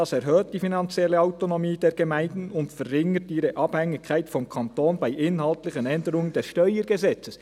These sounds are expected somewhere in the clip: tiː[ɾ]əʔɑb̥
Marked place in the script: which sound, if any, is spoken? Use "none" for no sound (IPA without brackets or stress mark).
ɾ